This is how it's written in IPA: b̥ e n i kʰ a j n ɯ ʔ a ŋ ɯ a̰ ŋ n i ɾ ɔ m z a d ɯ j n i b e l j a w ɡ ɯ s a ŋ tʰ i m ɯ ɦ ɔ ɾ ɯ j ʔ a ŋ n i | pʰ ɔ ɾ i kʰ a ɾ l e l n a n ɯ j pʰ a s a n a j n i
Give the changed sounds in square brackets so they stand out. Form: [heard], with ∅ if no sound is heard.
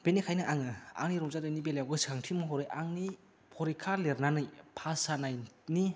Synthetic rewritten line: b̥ e n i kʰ a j n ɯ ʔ a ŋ ɯ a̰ ŋ n i ɾ ɔ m z a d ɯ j n i b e l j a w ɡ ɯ s a ŋ tʰ i m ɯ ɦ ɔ ɾ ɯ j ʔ a ŋ n i | pʰ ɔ ɾ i kʰ a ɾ l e [ɾ] n a n ɯ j pʰ a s a n a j n i

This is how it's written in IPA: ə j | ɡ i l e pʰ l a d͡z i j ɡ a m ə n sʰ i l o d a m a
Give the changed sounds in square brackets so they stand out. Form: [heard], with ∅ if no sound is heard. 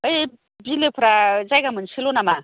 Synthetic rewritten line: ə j | [b] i l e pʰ [ɾ] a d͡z [a] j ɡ a m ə n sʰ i l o [n] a m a

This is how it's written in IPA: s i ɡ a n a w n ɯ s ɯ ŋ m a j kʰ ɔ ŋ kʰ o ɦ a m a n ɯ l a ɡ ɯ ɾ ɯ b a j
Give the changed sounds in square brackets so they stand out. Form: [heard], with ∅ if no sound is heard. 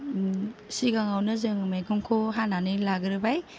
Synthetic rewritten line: s i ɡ a [ŋ] a w n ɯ [z] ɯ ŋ m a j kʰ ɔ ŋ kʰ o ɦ a [n] a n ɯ l a ɡ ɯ ɾ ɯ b a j

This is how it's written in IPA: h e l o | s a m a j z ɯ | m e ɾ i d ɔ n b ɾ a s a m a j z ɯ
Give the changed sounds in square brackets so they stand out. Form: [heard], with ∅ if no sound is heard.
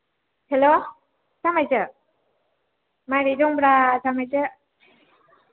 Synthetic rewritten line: h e l o | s a m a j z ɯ | m [a] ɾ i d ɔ [ŋ] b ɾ a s a m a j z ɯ

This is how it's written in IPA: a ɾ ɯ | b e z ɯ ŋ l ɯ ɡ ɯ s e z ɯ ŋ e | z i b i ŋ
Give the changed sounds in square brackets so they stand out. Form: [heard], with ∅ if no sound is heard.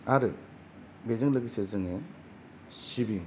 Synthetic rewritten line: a ɾ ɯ | b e z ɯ ŋ l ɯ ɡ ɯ s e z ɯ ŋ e | [s] i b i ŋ

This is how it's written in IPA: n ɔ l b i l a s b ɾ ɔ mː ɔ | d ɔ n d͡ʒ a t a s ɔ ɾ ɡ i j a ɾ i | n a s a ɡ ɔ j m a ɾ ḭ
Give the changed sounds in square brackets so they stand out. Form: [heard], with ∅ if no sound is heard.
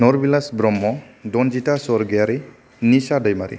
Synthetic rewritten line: n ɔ [ɾ] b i l a s b ɾ ɔ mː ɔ | d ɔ n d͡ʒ [i] t a s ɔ ɾ ɡ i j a ɾ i | n [i] s a [d] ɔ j m a ɾ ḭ

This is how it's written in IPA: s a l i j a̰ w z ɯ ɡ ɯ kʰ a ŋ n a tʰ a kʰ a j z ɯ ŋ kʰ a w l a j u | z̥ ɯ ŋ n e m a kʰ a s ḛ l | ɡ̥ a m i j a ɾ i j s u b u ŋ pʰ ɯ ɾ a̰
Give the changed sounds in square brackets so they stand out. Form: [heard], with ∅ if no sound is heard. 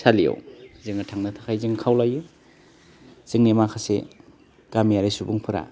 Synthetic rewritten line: s a l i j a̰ w z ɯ [ŋ] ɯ [tʰ] a ŋ n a tʰ a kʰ a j z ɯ ŋ kʰ a w l a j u | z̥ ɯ ŋ n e m a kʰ a s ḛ [∅] | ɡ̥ a m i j a ɾ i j s u b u ŋ pʰ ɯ ɾ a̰

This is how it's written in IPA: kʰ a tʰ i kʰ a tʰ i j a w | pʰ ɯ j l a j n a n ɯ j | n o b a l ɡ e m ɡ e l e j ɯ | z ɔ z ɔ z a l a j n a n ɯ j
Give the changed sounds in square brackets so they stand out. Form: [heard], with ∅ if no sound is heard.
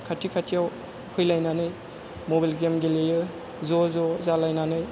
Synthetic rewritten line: kʰ a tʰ i kʰ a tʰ i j a w | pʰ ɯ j l a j n a n ɯ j | [m] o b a l ɡ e m ɡ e l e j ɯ | z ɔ z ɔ z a l a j n a n ɯ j

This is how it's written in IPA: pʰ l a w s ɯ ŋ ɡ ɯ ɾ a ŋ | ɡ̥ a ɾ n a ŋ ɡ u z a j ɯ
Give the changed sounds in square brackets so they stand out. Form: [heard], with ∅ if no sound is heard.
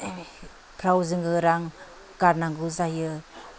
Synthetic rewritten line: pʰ [ɾ] a w [z] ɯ ŋ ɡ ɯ ɾ a ŋ | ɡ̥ a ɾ n a ŋ ɡ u z a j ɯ

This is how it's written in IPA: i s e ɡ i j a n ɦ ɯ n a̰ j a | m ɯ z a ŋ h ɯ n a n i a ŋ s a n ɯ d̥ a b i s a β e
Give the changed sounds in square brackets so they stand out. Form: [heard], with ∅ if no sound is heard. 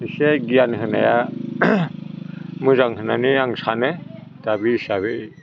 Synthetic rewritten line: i s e ɡ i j a n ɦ ɯ n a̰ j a | m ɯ z a ŋ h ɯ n a n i a ŋ s a n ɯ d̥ a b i s a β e

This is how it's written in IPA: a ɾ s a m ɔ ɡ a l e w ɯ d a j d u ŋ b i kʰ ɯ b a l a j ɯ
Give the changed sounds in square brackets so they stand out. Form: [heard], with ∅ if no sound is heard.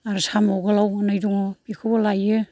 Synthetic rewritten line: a ɾ s a m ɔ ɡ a l [a] w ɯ [n] a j d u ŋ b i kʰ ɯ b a l a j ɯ

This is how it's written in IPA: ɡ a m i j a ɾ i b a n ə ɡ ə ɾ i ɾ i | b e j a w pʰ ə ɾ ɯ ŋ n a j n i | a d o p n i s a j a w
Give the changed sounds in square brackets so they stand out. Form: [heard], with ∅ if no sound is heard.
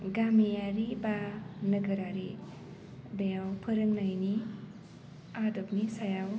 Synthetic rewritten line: ɡ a m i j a ɾ i b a n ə ɡ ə ɾ [a] ɾ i | b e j a w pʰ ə ɾ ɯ ŋ n a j n i | a d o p n i s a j a w

